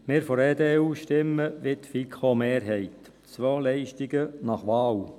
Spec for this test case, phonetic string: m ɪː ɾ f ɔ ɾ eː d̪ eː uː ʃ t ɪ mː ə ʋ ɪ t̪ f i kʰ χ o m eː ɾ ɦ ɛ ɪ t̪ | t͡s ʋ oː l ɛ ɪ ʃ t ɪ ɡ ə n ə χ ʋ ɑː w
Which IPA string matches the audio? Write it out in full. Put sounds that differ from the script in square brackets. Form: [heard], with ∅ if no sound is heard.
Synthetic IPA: m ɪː ɾ f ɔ ɾ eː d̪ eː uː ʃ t ɪ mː ə ʋ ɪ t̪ f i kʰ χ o m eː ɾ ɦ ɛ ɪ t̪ | t͡s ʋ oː l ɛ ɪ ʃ t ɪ ɡ ə n [ɑ] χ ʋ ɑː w